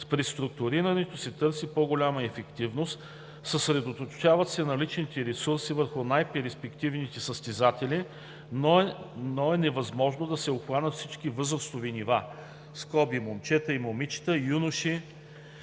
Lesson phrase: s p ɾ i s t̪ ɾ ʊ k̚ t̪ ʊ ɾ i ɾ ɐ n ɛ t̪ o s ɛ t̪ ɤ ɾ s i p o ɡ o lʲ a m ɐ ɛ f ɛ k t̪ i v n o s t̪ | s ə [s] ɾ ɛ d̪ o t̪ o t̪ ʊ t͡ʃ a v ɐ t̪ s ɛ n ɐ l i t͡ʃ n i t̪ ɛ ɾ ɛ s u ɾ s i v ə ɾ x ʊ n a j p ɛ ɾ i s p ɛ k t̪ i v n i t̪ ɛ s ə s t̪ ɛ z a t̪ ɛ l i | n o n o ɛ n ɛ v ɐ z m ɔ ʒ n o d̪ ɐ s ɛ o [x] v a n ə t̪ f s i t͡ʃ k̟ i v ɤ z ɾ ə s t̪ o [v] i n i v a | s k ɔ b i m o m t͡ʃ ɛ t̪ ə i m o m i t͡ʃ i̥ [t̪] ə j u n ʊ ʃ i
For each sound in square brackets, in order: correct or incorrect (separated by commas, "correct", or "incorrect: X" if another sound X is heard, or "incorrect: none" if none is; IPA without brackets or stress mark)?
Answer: correct, correct, correct, correct